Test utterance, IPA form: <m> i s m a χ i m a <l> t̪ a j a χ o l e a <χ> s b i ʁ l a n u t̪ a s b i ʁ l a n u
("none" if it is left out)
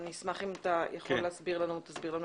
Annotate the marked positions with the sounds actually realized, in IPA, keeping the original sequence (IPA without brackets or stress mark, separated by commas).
n, none, none